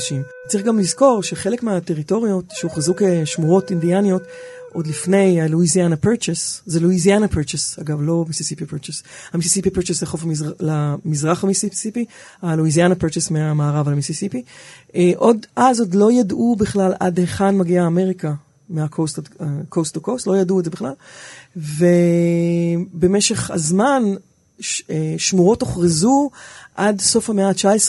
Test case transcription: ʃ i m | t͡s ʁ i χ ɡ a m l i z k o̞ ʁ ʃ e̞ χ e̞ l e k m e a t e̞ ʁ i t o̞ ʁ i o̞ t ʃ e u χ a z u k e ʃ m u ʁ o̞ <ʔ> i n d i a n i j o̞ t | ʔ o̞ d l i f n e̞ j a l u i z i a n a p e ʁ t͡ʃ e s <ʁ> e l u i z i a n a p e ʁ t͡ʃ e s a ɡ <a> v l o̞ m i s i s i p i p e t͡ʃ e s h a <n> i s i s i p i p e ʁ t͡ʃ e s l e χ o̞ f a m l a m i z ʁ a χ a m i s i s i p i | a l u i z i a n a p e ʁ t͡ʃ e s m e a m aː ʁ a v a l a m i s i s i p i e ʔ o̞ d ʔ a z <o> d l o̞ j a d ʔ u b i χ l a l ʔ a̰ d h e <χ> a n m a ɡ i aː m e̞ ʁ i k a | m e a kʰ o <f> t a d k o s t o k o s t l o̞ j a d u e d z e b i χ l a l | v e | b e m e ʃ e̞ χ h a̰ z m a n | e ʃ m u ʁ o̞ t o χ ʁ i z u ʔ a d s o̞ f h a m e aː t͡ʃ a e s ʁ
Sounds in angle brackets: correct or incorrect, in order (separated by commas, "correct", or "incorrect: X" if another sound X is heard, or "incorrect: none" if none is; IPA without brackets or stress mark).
incorrect: t, incorrect: z, correct, incorrect: m, correct, correct, incorrect: s